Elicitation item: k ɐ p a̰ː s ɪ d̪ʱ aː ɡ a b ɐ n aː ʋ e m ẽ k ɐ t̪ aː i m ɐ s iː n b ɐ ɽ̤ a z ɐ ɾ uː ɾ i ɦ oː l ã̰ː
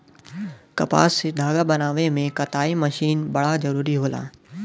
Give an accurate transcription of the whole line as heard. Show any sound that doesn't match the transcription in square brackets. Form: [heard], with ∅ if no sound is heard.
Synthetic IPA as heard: k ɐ p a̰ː s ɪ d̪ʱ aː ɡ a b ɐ n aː ʋ e m ẽ k ɐ t̪ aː i m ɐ [ʃ] iː n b ɐ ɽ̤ a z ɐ ɾ uː ɾ i ɦ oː l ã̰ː